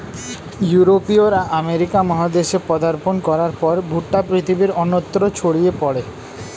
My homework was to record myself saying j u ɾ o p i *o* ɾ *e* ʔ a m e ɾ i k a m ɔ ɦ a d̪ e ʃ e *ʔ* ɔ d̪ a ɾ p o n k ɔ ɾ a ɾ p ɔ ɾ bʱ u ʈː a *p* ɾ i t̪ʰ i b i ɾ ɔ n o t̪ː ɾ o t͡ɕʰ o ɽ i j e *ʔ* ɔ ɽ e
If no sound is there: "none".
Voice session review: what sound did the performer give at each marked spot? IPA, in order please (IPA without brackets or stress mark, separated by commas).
o, a, p, p, p